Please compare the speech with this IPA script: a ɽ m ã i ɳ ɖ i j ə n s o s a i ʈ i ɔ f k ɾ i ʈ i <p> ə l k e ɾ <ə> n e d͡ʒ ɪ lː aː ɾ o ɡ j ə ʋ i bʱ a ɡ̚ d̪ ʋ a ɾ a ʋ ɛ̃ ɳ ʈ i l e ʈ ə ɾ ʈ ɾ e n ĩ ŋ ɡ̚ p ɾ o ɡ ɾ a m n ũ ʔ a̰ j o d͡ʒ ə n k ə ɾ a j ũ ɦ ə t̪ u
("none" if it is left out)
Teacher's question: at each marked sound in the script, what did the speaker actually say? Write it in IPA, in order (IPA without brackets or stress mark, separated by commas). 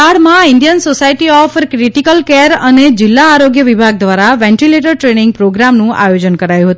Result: k, ə